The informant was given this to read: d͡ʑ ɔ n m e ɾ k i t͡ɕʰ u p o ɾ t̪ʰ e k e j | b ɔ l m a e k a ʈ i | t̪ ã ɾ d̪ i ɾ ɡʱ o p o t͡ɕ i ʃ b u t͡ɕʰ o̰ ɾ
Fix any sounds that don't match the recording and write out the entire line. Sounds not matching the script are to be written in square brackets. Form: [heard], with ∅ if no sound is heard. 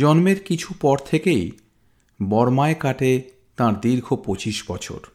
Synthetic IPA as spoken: d͡ʑ ɔ n m e ɾ k i t͡ɕʰ u p [ɔ] ɾ t̪ʰ e k e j | b ɔ [ɾ] m a e k a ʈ [e] | t̪ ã ɾ d̪ i ɾ ɡʱ o p o t͡ɕ i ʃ b [ɔ] t͡ɕʰ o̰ ɾ